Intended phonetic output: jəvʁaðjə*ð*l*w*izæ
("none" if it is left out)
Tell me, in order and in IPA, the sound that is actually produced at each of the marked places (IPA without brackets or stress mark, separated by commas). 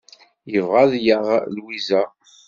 ʁ, w